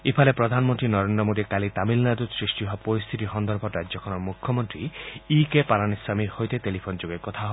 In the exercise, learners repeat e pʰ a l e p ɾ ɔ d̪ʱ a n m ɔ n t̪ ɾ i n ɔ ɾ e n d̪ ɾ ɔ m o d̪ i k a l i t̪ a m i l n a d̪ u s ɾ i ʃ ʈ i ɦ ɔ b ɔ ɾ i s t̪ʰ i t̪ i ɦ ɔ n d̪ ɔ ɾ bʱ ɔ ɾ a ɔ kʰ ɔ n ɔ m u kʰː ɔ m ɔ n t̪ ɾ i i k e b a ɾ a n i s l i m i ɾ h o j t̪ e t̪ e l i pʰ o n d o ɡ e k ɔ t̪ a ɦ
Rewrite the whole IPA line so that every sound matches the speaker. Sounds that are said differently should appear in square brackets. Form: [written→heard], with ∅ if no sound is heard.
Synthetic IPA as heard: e pʰ a l e p ɾ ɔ d̪ʱ a n m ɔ n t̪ ɾ i n ɔ ɾ e n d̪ ɾ ɔ m o d̪ i k a l i t̪ a m i l n a d̪ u s ɾ i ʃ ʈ i ɦ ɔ [b→p] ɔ ɾ i s t̪ʰ i t̪ i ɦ ɔ n d̪ ɔ ɾ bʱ ɔ ɾ a ɔ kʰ ɔ n ɔ m u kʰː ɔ m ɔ n t̪ ɾ i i k e [b→p] a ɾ a n i s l [i→a] m i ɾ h o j t̪ e t̪ e l i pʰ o n [d→d͡ʒ] o ɡ e k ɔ [t̪→t̪ʰ] a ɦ